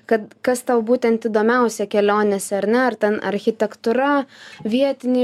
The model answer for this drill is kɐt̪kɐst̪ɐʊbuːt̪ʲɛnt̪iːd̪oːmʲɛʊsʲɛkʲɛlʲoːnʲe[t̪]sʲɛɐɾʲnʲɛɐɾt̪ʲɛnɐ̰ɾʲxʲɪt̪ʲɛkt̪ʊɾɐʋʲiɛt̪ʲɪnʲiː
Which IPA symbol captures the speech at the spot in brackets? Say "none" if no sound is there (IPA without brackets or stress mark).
none